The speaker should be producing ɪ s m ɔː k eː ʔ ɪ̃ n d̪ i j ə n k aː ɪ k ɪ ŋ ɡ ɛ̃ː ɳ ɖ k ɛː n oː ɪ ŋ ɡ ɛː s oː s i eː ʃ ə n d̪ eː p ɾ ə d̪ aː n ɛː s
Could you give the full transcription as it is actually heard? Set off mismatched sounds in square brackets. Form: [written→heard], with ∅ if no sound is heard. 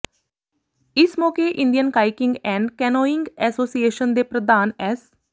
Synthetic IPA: ɪ s m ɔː k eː ʔ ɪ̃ n d̪ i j ə n k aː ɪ k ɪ ŋ ɡ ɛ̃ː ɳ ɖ k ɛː n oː ɪ ŋ ɡ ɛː s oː s i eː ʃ ə n d̪ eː p ɾ ə d̪ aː n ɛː s